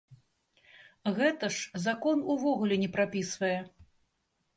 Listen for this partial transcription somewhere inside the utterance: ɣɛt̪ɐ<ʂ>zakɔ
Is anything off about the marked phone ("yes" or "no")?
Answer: no